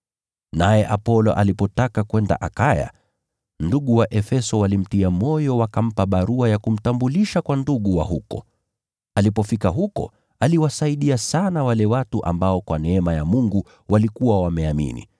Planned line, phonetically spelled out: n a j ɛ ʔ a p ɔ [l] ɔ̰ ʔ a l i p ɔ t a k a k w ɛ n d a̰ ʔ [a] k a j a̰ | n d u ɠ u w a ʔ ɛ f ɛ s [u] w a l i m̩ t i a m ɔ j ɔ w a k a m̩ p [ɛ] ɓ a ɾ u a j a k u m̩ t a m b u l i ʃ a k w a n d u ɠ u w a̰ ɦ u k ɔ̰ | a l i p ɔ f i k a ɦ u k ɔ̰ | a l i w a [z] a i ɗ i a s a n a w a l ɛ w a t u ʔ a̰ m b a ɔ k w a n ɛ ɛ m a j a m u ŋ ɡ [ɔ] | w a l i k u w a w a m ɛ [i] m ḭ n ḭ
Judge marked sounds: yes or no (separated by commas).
yes, yes, no, no, no, no, no